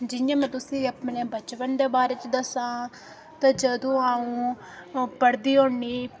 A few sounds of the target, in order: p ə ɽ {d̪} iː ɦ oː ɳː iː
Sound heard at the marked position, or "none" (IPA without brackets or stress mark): d̪